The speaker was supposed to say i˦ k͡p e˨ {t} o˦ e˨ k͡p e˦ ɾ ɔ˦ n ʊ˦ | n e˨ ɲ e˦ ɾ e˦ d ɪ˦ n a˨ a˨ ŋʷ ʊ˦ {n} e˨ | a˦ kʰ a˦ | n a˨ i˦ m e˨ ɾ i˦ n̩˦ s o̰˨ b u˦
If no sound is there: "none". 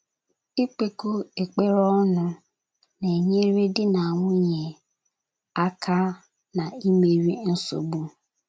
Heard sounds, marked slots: k, ɲ

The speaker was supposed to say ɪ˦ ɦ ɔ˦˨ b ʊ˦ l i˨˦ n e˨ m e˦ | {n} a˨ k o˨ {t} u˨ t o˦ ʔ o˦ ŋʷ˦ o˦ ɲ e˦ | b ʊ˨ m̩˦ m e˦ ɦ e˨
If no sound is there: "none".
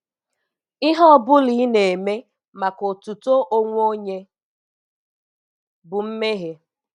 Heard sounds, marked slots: m, t

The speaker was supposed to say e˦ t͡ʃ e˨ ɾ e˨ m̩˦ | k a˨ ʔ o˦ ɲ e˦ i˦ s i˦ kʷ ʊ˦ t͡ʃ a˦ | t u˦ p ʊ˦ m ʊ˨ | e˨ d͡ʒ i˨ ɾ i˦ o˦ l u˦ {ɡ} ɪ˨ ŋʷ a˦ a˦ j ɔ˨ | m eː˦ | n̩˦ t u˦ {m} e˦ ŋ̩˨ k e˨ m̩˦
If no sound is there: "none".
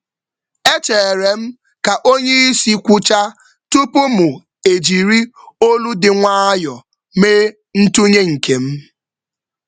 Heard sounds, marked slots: d, ɲ

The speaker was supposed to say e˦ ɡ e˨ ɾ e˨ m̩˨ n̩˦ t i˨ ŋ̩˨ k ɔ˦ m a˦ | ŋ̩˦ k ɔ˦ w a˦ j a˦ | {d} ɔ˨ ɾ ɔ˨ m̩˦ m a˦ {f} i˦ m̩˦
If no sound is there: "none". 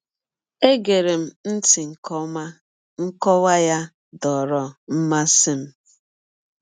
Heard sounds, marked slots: d, s

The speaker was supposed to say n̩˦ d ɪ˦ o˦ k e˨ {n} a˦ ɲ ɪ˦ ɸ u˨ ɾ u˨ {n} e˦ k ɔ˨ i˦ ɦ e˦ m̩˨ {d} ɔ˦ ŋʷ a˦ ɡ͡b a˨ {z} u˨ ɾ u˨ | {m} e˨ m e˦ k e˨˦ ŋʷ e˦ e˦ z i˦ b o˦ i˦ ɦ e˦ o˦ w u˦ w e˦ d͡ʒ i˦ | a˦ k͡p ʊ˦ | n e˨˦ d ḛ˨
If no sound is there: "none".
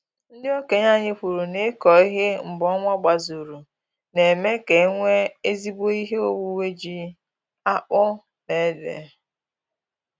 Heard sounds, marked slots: ɲ, n, b, z, n

